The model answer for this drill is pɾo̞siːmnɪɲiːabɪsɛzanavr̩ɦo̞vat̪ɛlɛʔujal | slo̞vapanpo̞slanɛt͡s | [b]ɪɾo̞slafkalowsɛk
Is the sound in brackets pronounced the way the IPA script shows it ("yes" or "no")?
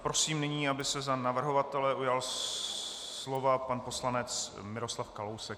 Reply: no